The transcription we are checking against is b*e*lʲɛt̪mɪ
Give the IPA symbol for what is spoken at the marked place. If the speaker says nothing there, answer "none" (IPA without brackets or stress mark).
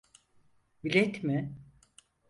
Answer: i